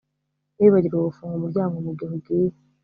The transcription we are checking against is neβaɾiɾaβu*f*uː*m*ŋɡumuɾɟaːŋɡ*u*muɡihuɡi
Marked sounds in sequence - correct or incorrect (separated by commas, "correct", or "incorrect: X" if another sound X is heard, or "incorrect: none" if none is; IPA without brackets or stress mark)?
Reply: correct, incorrect: none, incorrect: o